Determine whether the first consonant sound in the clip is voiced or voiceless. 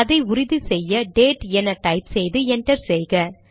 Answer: voiced